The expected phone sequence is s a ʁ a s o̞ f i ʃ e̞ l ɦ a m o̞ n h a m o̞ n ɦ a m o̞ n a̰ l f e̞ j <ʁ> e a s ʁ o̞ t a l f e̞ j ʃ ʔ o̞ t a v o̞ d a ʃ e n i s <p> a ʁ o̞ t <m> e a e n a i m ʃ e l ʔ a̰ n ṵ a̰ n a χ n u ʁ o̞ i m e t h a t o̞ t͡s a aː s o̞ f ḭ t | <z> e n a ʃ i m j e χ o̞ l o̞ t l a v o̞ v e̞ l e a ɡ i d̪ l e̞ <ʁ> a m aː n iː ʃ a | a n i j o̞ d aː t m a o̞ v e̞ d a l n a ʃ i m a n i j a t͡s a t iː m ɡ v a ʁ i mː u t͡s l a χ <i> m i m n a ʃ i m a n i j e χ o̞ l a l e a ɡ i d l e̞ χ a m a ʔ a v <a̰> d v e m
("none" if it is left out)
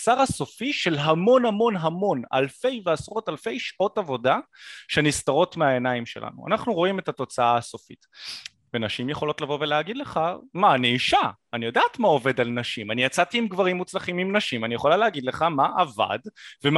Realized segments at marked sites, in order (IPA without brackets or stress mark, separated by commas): v, t, m, v, χ, i, a̰